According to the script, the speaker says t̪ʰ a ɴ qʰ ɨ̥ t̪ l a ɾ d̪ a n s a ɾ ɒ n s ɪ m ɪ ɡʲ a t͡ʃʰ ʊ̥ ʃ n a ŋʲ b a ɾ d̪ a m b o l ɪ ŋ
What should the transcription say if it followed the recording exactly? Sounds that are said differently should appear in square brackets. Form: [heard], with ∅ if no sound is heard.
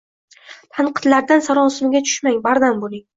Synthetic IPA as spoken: t̪ʰ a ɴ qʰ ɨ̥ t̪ l a ɾ d̪ a n s a ɾ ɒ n s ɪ m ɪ ɡʲ a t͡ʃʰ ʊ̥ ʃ [m] a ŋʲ b a ɾ d̪ a m b o l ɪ ŋ